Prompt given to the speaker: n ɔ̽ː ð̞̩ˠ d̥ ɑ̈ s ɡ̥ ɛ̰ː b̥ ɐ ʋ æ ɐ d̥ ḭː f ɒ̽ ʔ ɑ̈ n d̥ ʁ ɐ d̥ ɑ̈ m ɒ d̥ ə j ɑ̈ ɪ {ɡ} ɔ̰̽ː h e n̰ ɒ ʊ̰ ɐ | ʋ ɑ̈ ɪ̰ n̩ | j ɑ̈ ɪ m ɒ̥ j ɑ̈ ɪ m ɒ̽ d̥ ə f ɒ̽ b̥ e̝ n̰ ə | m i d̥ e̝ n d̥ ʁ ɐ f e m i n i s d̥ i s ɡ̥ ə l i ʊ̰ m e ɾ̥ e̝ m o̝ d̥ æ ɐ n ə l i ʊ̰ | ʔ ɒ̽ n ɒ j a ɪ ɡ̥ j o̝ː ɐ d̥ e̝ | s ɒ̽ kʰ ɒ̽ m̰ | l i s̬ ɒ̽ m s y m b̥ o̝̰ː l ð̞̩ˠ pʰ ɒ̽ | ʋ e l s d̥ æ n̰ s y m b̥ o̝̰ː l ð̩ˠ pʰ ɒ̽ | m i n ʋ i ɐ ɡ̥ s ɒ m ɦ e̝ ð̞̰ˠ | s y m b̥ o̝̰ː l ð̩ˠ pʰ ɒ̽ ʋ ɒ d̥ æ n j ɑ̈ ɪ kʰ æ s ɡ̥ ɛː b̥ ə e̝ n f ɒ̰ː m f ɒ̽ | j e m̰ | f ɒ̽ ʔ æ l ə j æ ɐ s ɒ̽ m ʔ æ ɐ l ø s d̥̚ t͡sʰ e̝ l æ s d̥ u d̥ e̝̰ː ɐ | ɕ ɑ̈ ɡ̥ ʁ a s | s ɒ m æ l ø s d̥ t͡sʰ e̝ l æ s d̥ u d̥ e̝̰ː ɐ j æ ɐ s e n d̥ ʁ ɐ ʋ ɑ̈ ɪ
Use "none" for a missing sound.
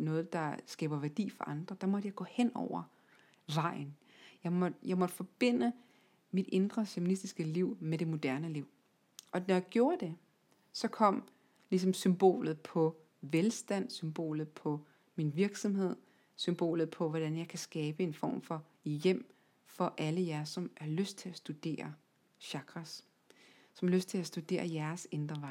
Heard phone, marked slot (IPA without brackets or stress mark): ɡ